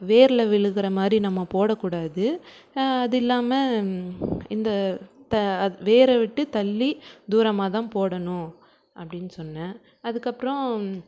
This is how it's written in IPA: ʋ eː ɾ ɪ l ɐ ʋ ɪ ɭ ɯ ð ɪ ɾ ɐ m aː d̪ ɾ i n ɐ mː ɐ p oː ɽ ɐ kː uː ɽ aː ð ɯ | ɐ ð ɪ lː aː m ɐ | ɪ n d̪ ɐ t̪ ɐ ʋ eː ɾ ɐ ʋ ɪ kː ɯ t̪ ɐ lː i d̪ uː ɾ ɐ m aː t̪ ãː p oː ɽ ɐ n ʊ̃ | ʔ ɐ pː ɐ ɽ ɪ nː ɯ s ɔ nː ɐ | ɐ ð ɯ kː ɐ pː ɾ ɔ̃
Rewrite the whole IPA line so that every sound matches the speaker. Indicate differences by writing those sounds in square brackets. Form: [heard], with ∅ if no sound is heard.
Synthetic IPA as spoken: ʋ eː ɾ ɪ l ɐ ʋ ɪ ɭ ɯ [ɣ] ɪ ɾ ɐ m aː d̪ ɾ i n ɐ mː ɐ p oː ɽ ɐ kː uː ɽ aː ð ɯ | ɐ ð ɪ lː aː m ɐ | ɪ n d̪ ɐ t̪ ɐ ʋ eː ɾ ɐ ʋ ɪ [ʈː] ɯ t̪ ɐ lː i d̪ uː ɾ ɐ m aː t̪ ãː p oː ɽ ɐ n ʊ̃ | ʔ ɐ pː ɐ ɽ ɪ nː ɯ s ɔ nː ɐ | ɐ ð ɯ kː ɐ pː ɾ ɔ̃

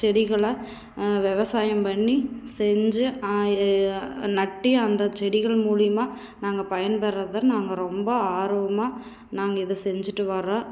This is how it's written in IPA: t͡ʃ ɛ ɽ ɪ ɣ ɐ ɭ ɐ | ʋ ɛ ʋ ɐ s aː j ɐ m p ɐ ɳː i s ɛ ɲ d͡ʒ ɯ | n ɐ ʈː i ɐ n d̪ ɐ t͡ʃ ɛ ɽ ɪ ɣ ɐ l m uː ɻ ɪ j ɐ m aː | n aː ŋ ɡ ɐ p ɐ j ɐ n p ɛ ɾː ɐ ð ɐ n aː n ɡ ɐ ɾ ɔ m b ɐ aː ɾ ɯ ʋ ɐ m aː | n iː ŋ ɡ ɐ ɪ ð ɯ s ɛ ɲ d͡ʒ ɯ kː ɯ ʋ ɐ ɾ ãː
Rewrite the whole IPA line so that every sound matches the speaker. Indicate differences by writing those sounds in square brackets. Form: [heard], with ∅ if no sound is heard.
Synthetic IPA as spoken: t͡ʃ ɛ ɽ ɪ ɣ ɐ ɭ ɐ | ʋ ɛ ʋ ɐ s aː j ɐ m p ɐ ɳː i s ɛ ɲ d͡ʒ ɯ | n ɐ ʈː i ɐ n d̪ ɐ t͡ʃ ɛ ɽ ɪ ɣ ɐ [ɭ] m uː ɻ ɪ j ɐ m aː | n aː ŋ ɡ ɐ p ɐ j ɐ n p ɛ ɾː ɐ ð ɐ n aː [ŋ] ɡ ɐ ɾ ɔ m b ɐ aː ɾ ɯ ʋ ɐ m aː | n [aː] ŋ ɡ ɐ ɪ ð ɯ s ɛ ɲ d͡ʒ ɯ [ʈː] ɯ ʋ ɐ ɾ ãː

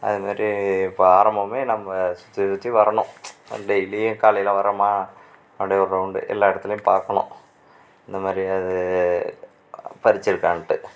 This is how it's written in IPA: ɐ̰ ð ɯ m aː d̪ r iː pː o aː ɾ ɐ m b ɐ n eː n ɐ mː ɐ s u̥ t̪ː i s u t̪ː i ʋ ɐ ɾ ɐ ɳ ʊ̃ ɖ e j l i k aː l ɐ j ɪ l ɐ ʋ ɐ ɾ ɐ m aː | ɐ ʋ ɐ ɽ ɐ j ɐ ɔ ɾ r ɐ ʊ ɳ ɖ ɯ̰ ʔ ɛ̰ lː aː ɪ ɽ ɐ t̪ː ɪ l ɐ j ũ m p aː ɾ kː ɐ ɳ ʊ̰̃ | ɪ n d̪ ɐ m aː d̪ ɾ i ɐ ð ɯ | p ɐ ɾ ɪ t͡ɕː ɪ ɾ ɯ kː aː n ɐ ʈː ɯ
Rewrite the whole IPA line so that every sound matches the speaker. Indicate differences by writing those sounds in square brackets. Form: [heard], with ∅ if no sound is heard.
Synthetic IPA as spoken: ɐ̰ ð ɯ m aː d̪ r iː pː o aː ɾ ɐ m b ɐ [m] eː n ɐ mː ɐ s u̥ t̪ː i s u t̪ː i ʋ ɐ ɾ ɐ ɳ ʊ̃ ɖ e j l i k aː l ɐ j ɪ l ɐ ʋ ɐ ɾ ɐ m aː | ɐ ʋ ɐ ɽ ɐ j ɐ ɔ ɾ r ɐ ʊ ɳ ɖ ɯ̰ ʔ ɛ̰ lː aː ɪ ɽ ɐ t̪ː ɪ l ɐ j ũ m p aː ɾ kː ɐ ɳ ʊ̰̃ | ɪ n d̪ ɐ m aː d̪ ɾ i ɐ ð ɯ | p ɐ ɾ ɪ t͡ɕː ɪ ɾ ɯ kː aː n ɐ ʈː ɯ

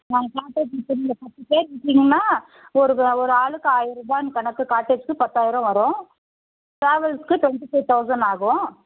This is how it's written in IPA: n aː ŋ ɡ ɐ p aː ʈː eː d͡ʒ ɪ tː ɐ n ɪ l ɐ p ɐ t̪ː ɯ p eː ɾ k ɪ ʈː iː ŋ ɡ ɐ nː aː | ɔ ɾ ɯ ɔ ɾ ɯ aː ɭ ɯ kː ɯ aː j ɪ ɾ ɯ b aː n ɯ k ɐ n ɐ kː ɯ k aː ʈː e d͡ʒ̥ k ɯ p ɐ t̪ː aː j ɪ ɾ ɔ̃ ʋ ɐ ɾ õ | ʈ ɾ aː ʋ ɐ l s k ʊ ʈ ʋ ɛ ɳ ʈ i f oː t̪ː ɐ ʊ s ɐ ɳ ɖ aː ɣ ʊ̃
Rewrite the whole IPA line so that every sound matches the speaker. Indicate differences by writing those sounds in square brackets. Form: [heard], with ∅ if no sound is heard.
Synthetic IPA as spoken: n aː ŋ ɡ ɐ [k] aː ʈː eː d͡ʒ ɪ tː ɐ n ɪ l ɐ p ɐ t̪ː ɯ p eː ɾ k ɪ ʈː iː ŋ ɡ ɐ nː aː | ɔ ɾ ɯ ɔ ɾ ɯ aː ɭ ɯ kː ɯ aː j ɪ ɾ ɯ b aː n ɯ k ɐ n ɐ kː ɯ k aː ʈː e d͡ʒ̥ k ɯ p ɐ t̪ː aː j ɪ ɾ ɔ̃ ʋ ɐ ɾ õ | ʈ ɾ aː ʋ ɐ l s k [ɯ] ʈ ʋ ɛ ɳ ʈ i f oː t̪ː ɐ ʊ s ɐ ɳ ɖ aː ɣ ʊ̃

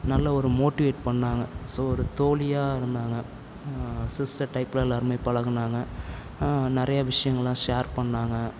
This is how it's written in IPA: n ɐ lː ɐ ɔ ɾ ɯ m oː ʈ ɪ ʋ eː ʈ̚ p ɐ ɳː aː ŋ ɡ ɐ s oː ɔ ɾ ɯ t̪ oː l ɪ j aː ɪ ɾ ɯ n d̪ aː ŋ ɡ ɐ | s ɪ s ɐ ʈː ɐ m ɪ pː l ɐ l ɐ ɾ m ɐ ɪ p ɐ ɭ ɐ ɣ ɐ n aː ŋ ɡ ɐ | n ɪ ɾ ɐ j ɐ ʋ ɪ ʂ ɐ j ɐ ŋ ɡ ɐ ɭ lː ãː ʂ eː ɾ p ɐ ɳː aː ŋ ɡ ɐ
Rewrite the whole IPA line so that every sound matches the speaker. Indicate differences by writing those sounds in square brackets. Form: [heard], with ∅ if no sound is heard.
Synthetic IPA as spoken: n ɐ lː ɐ ɔ ɾ ɯ m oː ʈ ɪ ʋ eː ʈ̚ p ɐ ɳː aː ŋ ɡ ɐ s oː ɔ ɾ ɯ t̪ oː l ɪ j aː ɪ ɾ ɯ n d̪ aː ŋ ɡ ɐ | s ɪ s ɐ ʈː ɐ [∅] ɪ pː l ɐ l ɐ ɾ m ɐ ɪ p ɐ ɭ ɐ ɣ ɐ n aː ŋ ɡ ɐ | n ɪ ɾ ɐ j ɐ ʋ ɪ ʂ ɐ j ɐ ŋ ɡ ɐ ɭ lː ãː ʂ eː ɾ p ɐ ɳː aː ŋ ɡ ɐ

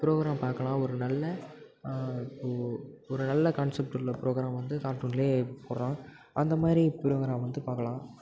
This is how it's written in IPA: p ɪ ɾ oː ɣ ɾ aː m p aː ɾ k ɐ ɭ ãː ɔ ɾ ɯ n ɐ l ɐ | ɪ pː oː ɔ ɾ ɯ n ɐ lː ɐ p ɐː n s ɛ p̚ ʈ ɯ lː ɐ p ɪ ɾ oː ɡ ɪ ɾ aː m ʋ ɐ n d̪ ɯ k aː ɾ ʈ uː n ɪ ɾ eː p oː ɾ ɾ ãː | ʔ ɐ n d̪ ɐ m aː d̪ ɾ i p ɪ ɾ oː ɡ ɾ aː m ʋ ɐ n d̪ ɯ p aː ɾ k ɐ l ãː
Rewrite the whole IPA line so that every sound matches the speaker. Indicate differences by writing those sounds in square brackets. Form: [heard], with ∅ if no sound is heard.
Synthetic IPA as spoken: p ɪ ɾ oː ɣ ɾ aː m p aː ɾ k ɐ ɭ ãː ɔ ɾ ɯ n ɐ [lː] ɐ | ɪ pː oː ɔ ɾ ɯ n ɐ lː ɐ [k] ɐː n s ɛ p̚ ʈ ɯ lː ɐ p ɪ ɾ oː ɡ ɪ ɾ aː m ʋ ɐ n d̪ ɯ k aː ɾ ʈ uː n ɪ [l] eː p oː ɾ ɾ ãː | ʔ ɐ n d̪ ɐ m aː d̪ ɾ i p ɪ ɾ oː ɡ ɾ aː m ʋ ɐ n d̪ ɯ p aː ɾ k ɐ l ãː

